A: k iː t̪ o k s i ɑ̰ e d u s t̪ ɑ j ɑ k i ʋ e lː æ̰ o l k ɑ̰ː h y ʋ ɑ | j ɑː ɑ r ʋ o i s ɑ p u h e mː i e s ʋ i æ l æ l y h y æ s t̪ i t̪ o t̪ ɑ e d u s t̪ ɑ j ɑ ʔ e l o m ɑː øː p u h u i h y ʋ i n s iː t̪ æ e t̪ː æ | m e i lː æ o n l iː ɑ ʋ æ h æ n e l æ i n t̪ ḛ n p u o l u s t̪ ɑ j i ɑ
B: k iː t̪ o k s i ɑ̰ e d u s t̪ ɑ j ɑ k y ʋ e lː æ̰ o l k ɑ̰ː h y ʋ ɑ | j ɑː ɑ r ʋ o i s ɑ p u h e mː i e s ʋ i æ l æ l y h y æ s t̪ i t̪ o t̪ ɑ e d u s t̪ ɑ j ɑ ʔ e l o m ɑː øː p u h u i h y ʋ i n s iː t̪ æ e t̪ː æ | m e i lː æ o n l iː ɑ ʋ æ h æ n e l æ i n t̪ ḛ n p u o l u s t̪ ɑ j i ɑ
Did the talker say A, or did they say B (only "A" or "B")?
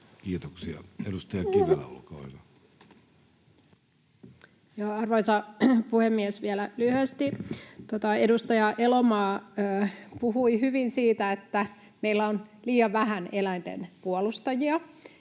A